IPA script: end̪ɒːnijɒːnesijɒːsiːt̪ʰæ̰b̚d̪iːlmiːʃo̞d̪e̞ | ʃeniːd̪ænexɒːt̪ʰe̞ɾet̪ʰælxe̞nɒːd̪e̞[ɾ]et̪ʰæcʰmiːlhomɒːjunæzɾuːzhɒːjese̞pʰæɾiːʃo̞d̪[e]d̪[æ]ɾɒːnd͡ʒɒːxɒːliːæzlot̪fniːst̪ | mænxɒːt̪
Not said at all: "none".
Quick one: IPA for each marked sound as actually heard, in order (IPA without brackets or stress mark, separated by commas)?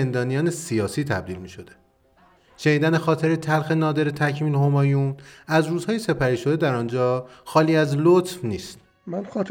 ɾ, e, æ